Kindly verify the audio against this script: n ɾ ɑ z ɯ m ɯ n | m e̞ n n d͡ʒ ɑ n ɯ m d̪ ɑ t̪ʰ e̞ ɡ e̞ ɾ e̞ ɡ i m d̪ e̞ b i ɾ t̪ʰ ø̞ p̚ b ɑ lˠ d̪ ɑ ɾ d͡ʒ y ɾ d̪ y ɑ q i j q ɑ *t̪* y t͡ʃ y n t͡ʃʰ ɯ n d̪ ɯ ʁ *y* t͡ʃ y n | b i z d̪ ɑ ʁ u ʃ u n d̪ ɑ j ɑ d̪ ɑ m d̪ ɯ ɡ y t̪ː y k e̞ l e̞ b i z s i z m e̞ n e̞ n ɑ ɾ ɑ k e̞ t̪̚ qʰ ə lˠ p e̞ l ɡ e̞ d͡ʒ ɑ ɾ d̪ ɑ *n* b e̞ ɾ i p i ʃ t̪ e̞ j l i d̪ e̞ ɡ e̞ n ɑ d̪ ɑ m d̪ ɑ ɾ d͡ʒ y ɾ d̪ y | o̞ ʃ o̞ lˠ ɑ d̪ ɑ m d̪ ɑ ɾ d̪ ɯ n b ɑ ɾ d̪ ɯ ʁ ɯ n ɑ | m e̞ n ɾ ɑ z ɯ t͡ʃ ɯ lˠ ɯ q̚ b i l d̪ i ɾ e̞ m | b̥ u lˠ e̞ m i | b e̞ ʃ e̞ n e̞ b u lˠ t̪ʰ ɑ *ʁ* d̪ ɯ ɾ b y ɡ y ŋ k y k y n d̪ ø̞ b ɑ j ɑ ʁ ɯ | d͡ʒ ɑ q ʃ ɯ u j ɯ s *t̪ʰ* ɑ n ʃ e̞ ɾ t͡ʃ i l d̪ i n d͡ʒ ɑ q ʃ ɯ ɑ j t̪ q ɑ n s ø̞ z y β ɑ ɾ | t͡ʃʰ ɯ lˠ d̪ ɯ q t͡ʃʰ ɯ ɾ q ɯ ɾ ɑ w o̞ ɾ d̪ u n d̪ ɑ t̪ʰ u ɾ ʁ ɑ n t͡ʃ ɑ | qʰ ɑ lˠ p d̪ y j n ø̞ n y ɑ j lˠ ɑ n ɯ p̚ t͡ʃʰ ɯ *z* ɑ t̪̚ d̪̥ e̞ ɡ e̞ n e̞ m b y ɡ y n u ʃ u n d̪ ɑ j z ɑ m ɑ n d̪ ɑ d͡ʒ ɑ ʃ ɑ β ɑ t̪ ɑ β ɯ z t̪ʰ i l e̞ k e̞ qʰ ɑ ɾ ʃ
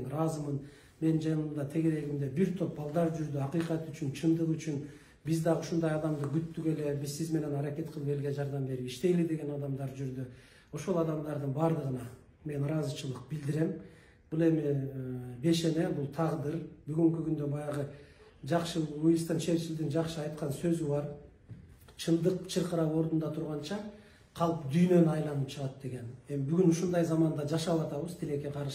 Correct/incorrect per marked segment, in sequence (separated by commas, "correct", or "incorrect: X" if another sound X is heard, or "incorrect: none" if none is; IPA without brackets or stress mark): correct, correct, incorrect: m, correct, incorrect: t̪, incorrect: ʁ